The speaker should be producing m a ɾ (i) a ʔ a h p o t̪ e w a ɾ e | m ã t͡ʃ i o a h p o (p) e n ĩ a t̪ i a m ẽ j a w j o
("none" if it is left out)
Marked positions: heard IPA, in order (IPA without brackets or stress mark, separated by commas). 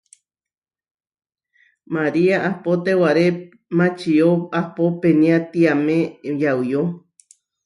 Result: i, p